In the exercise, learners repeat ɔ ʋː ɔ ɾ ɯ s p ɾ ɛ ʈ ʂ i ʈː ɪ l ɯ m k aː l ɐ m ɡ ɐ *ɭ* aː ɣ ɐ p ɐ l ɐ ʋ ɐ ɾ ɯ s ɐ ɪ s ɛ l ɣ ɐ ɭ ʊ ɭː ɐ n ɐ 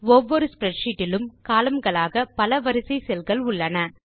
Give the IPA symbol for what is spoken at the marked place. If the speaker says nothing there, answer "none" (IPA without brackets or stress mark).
ɭ